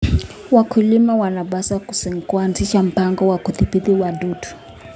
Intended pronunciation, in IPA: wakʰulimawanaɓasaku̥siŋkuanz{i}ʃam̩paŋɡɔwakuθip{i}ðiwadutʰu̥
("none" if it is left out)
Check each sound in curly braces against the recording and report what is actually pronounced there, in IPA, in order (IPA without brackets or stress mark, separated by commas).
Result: i, i